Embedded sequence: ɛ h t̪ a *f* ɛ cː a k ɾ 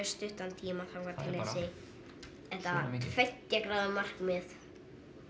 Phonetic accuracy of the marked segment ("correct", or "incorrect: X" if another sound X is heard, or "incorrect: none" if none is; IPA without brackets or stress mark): correct